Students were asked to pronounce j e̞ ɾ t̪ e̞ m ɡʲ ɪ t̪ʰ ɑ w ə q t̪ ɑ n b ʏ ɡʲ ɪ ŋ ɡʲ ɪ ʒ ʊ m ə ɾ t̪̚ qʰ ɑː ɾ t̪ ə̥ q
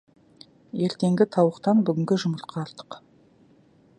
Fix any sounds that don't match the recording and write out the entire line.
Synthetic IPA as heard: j e̞ ɾ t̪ e̞ ŋ ɡʲ ɪ t̪ʰ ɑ w ə q t̪ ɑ n b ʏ ɡʲ ɪ ŋ ɡʲ ɪ ʒ ʊ m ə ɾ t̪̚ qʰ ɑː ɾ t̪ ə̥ q